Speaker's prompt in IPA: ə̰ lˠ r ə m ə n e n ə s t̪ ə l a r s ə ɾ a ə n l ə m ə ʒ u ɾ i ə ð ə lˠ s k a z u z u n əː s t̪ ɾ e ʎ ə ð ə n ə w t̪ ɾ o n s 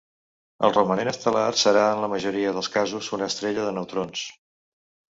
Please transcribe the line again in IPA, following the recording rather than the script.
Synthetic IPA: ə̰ lˠ r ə m ə n e n ə s t̪ ə l a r s ə ɾ a ə n l ə m ə ʒ u ɾ i ə ð ə lˠ s k a z u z u n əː s t̪ ɾ e ʎ ə ð ə n ə w t̪ ɾ o n s